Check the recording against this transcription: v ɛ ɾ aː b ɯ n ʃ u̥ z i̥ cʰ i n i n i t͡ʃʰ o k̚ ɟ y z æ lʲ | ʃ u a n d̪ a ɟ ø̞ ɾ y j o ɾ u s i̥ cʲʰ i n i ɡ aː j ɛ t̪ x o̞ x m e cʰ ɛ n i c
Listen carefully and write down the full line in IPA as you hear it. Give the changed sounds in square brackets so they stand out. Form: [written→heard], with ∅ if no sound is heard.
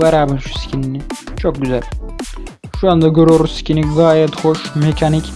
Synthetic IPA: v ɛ ɾ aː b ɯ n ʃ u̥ [z→s] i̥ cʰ i n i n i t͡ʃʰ o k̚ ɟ y z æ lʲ | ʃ u a n d̪ a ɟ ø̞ ɾ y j o ɾ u s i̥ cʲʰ i n i ɡ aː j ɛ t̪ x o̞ [x→ʃ] m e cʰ [ɛ→a] n i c

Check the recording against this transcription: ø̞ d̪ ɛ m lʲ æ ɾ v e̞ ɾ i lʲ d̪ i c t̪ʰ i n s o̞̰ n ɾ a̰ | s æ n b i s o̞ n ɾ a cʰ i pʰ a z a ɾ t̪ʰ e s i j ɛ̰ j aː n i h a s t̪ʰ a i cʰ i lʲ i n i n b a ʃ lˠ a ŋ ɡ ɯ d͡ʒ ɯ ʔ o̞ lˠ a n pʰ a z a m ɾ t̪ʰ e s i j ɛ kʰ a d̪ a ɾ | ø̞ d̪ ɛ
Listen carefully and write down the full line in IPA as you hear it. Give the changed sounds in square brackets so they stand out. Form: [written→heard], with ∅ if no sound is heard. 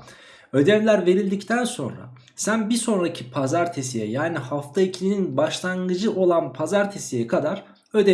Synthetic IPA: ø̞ d̪ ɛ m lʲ æ ɾ v e̞ ɾ i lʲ d̪ i c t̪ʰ [i→æ] n s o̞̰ n ɾ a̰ | s æ n b i s o̞ n ɾ a cʰ i pʰ a z a ɾ t̪ʰ e s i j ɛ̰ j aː n i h a [s→f] t̪ʰ a i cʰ i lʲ i n i n b a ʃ lˠ a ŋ ɡ ɯ d͡ʒ ɯ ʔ o̞ lˠ a n pʰ a z a [m→∅] ɾ t̪ʰ e s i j ɛ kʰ a d̪ a ɾ | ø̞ d̪ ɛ

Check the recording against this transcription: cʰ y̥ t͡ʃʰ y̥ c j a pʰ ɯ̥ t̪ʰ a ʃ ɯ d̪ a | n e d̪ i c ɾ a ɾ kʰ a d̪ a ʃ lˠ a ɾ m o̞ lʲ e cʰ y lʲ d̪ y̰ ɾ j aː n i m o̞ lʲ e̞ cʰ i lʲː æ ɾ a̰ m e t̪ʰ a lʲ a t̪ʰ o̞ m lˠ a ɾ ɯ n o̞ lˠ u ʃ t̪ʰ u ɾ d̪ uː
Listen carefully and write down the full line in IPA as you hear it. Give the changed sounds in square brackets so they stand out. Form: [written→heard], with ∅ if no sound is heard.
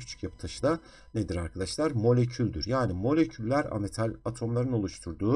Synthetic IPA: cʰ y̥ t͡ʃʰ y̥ c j a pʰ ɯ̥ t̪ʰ a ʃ ɯ d̪ a | n e d̪ i [c→∅] ɾ a ɾ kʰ a d̪ a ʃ lˠ a ɾ m o̞ lʲ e cʰ y lʲ d̪ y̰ ɾ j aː n i m o̞ lʲ e̞ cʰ [i→y] lʲː æ ɾ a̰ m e t̪ʰ a lʲ a t̪ʰ o̞ m lˠ a ɾ ɯ n o̞ lˠ u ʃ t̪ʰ u ɾ d̪ uː

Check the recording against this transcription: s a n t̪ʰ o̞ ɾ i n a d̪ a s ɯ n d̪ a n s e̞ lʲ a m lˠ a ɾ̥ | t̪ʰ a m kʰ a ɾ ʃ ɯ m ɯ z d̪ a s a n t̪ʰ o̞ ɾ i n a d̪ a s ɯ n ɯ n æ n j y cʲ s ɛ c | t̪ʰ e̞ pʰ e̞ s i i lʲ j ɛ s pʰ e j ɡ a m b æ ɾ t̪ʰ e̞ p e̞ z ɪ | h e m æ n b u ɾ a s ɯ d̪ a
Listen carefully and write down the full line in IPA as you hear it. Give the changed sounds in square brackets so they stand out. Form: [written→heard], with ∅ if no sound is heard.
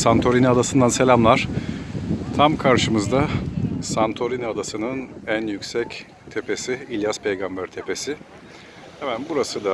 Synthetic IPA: s a n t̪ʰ o̞ ɾ i n a d̪ a s ɯ n d̪ a n s e̞ lʲ a m lˠ a ɾ̥ | t̪ʰ a m kʰ a ɾ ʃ ɯ m ɯ z d̪ a s a n t̪ʰ o̞ ɾ i n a d̪ a s ɯ n ɯ n æ n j y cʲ s ɛ c | t̪ʰ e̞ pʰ e̞ s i i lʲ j [ɛ→a] s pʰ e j ɡ a m b æ ɾ t̪ʰ e̞ p e̞ [z→s] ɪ | h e m æ n b u ɾ a s ɯ d̪ a

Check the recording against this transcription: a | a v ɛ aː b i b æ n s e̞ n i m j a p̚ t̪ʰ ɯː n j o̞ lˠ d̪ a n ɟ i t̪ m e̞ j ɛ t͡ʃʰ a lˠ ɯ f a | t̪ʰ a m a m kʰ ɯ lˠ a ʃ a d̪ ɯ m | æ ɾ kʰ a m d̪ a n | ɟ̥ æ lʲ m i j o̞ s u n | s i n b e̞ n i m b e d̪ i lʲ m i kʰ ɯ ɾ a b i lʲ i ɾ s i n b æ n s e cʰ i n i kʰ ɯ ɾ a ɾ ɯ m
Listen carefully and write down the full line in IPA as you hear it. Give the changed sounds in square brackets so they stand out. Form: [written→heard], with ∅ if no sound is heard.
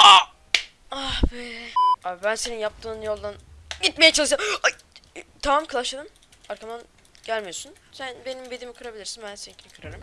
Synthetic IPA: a | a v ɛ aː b i b æ n s e̞ n i [m→n] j a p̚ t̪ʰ ɯː n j o̞ lˠ d̪ a n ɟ i t̪ m e̞ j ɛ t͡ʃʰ a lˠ ɯ [f→ʃ] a | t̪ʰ a m a m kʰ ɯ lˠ a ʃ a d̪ ɯ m | [æ→a] ɾ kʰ a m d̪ a n | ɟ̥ æ lʲ m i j o̞ s u n | s [i→æ] n b e̞ n i m b e d̪ i [lʲ→∅] m i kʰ ɯ ɾ a b i lʲ i ɾ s i n b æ n s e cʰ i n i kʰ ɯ ɾ a ɾ ɯ m

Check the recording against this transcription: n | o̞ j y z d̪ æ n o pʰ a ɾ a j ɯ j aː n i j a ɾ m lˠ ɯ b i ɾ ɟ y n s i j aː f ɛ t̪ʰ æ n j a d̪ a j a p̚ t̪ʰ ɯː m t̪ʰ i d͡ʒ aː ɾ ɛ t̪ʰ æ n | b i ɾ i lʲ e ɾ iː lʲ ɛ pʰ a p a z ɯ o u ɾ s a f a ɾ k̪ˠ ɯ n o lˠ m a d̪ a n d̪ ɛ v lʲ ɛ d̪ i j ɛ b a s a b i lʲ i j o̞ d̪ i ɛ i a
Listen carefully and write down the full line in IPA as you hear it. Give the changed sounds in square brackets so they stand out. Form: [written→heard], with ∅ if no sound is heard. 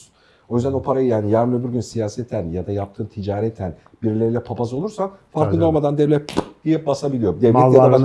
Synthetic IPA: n | o̞ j y z d̪ æ n o pʰ a ɾ a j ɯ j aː n i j a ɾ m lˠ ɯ b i ɾ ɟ y n s i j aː [f→s] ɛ t̪ʰ æ n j a d̪ a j a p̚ t̪ʰ ɯː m t̪ʰ i d͡ʒ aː ɾ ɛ t̪ʰ æ n | b i ɾ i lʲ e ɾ [iː→i] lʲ ɛ pʰ a p a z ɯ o u ɾ s a f a ɾ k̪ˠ ɯ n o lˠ m a d̪ a n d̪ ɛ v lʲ ɛ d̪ i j ɛ b a s a b i lʲ i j o̞ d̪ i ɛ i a

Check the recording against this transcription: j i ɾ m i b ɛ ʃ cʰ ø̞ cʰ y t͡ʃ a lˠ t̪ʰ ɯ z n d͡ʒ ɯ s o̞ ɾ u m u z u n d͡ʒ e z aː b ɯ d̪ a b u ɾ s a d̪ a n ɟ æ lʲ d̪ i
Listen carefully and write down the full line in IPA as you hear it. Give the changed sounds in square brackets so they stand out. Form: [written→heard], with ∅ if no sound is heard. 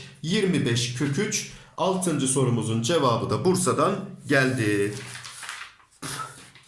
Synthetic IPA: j i ɾ m i b ɛ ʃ cʰ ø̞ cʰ y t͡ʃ a lˠ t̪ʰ ɯ [z→∅] n d͡ʒ ɯ s o̞ ɾ u m u z u n d͡ʒ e [z→v] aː b ɯ d̪ a b u ɾ s a d̪ a n ɟ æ lʲ d̪ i

